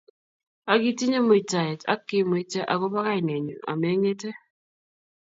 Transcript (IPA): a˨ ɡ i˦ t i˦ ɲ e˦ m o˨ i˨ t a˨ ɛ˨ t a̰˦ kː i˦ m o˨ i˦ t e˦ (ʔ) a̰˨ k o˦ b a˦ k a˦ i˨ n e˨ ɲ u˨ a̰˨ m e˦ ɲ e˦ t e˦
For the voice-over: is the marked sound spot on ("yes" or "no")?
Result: yes